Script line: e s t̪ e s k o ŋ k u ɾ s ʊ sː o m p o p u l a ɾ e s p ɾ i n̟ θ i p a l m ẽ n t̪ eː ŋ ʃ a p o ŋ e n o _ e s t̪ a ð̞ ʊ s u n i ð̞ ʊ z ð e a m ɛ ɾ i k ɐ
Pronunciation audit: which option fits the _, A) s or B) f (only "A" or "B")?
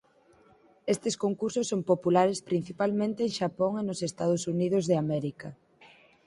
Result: A